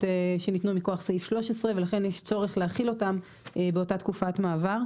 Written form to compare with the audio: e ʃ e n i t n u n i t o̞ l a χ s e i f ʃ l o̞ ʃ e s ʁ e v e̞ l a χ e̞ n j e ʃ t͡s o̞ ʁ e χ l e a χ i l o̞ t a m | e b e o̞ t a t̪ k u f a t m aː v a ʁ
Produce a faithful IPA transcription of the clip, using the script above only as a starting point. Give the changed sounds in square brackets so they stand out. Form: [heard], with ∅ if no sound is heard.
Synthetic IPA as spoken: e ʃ e n i t n u [m] i [k] o̞ [∅] a χ s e i f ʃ l o̞ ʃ e s ʁ e v e̞ l a χ e̞ n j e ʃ t͡s o̞ ʁ e χ l e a χ i l o̞ t a m | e b e o̞ t a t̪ k u f a t m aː v a ʁ